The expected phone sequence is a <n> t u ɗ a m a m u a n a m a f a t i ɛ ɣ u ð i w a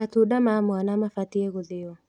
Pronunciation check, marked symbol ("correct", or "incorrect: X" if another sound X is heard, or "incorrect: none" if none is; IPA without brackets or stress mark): incorrect: none